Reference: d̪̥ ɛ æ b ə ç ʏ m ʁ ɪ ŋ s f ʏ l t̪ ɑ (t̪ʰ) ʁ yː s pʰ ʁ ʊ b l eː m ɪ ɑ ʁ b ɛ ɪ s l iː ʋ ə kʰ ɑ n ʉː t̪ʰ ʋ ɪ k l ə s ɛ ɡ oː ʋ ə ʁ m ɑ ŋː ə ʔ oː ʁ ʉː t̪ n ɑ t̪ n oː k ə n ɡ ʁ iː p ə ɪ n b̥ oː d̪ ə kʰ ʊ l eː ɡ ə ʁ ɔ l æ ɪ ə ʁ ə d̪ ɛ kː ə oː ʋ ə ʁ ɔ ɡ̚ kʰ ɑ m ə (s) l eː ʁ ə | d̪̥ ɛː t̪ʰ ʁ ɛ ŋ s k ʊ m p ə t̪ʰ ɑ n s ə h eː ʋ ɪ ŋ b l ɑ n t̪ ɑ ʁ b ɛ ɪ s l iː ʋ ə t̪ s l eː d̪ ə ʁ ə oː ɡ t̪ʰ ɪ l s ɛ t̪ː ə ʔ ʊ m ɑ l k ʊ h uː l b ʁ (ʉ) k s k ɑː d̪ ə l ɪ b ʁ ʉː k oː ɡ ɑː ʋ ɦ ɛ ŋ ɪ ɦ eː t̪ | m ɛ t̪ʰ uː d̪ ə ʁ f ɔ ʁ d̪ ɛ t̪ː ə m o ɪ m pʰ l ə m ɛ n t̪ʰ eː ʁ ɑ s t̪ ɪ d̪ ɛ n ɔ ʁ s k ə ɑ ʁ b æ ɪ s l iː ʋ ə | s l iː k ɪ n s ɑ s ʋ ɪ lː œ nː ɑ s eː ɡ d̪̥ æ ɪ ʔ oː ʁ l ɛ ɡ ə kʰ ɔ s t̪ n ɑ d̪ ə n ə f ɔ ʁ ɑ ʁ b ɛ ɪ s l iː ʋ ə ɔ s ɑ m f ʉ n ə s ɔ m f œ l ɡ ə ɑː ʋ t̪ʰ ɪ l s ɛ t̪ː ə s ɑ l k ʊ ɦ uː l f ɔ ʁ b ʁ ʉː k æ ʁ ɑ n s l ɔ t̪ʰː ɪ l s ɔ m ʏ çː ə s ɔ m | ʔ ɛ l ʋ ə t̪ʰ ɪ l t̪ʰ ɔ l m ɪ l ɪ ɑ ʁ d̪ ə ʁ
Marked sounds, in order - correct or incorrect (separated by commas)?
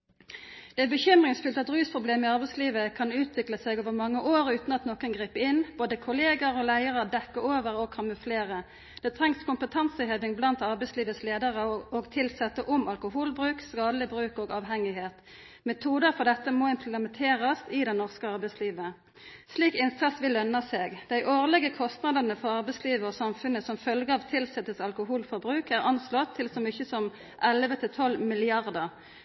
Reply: incorrect, incorrect, incorrect